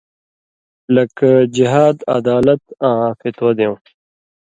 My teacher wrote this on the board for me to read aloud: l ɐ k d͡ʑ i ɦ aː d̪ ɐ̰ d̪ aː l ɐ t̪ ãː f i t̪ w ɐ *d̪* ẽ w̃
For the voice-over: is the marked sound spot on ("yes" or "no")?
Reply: yes